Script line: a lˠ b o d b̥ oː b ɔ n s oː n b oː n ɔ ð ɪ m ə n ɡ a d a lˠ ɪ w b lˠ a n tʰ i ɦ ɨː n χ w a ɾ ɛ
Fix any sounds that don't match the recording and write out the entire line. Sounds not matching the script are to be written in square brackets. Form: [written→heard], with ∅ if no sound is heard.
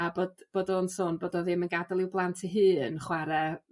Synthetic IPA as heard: a [lˠ→∅] b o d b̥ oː [b→d] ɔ n s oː n b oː [n→d] ɔ ð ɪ m ə n ɡ a d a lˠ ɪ w b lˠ a n tʰ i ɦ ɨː n χ w a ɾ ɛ